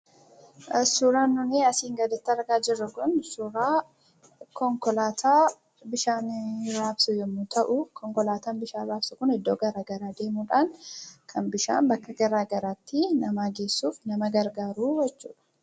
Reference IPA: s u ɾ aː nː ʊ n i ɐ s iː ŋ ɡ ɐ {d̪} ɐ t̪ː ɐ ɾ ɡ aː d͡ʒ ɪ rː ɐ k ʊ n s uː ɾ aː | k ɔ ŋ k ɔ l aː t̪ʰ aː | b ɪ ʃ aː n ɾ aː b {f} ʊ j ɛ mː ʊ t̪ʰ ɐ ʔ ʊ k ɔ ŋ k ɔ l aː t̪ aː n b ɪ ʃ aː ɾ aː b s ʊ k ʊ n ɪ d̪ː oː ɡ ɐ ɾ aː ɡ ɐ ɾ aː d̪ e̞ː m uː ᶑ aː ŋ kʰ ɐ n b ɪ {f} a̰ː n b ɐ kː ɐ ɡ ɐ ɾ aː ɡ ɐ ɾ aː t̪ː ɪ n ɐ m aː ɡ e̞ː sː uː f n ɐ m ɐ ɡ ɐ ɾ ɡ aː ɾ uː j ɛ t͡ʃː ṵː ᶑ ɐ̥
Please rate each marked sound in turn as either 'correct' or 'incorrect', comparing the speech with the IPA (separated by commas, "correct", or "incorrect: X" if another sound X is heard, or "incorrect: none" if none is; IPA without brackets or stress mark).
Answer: correct, incorrect: s, incorrect: ʃ